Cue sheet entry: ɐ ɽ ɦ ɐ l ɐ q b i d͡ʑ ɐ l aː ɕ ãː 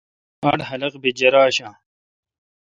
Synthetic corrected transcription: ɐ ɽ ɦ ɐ l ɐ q b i d͡ʑ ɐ ɾ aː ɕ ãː